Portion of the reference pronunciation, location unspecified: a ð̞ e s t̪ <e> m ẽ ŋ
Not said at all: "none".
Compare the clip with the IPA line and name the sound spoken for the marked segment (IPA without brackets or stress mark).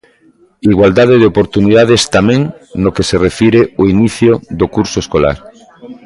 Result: a